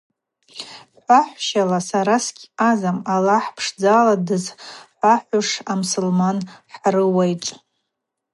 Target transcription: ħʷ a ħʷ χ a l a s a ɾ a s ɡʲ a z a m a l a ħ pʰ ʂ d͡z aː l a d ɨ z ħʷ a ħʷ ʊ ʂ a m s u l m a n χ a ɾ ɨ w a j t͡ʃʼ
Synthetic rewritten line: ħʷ a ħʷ ʃ a l a s a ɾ a s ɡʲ a z a m a l a ħ pʰ ʂ d͡z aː l a d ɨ z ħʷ a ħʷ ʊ ʂ a m s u l m a n ħ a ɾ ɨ w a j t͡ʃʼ